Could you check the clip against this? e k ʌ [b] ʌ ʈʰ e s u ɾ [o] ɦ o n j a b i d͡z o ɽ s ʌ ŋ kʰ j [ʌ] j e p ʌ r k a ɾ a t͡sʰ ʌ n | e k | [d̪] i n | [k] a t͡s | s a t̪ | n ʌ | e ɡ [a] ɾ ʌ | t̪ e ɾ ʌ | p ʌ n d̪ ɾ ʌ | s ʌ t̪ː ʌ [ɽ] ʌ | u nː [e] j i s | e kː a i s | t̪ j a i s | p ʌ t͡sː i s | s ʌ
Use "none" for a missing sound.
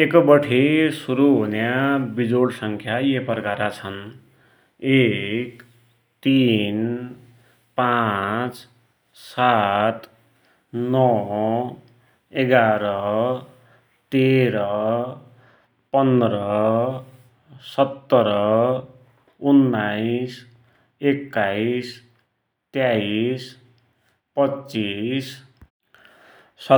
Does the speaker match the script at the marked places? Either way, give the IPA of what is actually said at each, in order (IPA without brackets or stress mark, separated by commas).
b, u, a, t̪, p, a, ɾ, a